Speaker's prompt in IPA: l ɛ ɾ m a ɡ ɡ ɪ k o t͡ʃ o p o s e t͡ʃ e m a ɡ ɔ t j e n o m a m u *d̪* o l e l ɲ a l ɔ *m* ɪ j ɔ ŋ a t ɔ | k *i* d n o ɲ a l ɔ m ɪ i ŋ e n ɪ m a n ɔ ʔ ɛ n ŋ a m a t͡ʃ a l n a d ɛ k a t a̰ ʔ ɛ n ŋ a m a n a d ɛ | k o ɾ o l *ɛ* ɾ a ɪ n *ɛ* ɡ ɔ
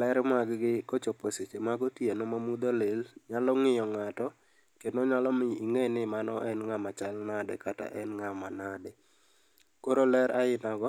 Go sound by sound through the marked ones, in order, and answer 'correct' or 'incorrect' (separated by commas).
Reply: correct, incorrect, incorrect, correct, incorrect